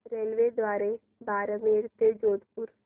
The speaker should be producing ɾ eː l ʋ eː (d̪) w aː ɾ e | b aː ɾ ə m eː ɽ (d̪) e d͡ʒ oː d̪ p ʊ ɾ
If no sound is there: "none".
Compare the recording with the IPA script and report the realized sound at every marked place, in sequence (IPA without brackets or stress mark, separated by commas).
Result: d̪, t̪